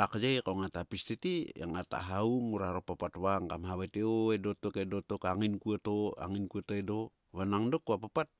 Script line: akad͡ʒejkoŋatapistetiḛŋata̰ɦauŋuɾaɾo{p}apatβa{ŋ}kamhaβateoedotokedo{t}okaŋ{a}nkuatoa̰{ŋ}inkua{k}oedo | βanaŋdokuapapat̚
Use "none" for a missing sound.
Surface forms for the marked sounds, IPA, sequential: p, ŋ, t, i, ŋ, t

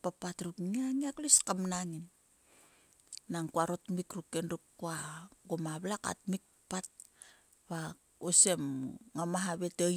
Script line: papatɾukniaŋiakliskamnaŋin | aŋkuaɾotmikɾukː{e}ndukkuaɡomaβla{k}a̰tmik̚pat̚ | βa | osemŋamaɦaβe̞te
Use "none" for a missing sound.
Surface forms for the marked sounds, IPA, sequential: e, k

